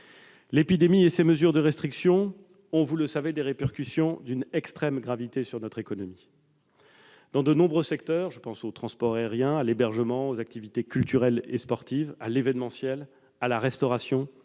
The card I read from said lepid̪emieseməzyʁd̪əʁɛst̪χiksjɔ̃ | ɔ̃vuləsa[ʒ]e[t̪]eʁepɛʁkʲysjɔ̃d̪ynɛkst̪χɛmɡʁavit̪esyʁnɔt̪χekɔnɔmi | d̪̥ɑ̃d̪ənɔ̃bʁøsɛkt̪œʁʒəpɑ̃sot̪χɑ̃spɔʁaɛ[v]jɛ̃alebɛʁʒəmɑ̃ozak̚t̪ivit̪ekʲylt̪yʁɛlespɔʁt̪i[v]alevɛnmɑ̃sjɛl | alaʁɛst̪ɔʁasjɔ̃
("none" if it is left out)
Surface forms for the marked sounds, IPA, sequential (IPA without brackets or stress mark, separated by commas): v, d̪, ʁ, v